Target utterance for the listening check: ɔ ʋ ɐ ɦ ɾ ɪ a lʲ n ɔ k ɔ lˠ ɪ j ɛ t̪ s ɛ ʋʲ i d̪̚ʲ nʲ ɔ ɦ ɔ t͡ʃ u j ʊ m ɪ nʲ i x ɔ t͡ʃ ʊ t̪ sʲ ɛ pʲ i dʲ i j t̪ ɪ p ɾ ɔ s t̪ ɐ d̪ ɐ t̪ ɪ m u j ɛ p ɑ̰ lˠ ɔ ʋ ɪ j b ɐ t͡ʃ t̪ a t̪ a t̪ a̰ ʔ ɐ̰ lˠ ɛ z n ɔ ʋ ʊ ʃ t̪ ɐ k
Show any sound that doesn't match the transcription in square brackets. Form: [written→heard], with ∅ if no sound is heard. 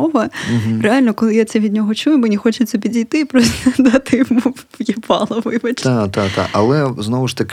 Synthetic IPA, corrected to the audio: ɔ ʋ ɐ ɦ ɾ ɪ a lʲ n ɔ k ɔ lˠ ɪ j [ɛ→a] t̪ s ɛ ʋʲ i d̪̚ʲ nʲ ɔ ɦ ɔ t͡ʃ u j ʊ m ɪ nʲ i x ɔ t͡ʃ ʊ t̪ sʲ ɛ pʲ i dʲ i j t̪ ɪ p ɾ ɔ s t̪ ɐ d̪ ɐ t̪ ɪ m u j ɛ p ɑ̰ lˠ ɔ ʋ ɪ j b ɐ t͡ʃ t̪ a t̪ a t̪ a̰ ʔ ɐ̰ lˠ ɛ z n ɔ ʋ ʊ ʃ t̪ ɐ k